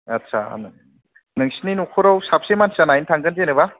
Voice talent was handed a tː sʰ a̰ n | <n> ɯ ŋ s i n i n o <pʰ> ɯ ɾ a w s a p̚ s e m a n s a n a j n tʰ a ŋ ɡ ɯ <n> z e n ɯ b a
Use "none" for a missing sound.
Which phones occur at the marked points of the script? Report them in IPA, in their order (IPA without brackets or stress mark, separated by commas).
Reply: n, kʰ, n